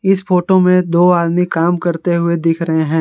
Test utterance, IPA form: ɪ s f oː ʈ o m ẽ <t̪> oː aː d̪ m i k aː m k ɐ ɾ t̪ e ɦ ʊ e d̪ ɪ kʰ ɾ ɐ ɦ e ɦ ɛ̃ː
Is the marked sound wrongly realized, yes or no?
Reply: yes